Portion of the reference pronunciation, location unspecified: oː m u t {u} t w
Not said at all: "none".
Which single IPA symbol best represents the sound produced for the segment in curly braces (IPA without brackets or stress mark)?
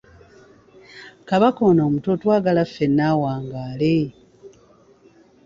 o